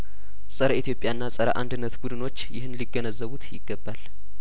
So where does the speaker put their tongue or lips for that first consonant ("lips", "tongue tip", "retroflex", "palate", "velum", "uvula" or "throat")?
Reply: tongue tip